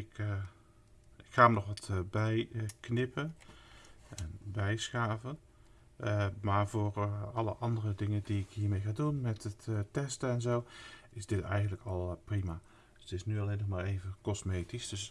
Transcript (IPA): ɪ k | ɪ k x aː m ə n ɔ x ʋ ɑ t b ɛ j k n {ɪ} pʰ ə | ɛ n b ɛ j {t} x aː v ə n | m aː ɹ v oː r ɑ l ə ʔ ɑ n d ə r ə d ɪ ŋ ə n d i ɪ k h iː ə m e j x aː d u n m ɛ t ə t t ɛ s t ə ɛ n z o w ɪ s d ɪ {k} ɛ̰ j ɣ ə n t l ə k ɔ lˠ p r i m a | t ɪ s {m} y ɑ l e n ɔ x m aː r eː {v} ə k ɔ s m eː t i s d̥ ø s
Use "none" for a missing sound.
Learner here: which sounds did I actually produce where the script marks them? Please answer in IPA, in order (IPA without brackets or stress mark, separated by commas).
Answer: ɪ, s, t, n, v